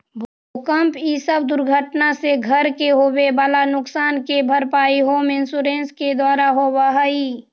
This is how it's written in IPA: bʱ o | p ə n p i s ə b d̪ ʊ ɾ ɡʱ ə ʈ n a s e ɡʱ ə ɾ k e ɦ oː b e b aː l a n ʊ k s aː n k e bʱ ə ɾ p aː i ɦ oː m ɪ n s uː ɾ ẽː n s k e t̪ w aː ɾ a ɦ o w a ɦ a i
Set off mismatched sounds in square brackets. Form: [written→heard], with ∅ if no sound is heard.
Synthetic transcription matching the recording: bʱ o | [p→k] ə [n→m] p i s ə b d̪ ʊ ɾ ɡʱ ə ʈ n a s e ɡʱ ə ɾ k e ɦ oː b e b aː l a n ʊ k s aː n k e bʱ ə ɾ p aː i ɦ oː m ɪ n s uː ɾ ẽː n s k e [t̪→d̪] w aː ɾ a ɦ o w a ɦ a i